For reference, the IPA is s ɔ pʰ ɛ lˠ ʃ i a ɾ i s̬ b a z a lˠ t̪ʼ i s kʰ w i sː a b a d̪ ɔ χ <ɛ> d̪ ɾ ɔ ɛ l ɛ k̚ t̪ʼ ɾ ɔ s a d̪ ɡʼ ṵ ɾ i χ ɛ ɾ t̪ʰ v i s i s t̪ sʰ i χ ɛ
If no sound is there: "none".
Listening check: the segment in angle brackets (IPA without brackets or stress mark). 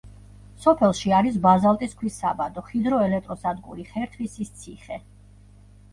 i